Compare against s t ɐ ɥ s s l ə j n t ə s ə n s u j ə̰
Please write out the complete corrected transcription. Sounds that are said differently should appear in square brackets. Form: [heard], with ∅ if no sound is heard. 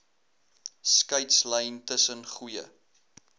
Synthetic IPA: s [k] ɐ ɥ [t] s l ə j n t ə s ə n [χ] u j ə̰